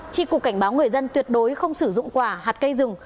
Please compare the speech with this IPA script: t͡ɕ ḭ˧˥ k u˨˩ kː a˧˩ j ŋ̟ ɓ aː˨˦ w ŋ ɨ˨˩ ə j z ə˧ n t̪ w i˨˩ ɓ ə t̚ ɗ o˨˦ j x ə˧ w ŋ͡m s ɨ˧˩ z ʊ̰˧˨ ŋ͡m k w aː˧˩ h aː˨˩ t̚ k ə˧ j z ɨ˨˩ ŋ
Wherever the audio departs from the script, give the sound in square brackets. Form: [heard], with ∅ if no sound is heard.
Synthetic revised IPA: t͡ɕ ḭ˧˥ k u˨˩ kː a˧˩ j ŋ̟ ɓ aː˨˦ w ŋ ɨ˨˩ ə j z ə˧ n t̪ w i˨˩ [∅] ə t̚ ɗ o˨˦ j x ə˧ w ŋ͡m s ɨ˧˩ z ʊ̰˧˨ ŋ͡m k w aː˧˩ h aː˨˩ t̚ k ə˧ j z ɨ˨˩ ŋ